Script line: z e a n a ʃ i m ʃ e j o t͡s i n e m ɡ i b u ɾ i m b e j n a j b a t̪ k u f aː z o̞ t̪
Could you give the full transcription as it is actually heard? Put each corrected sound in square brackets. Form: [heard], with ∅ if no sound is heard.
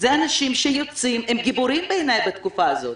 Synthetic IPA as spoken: z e a n a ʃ i m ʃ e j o t͡s i [m] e m ɡ i b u ɾ i m b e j n a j b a t̪ k u f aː z o̞ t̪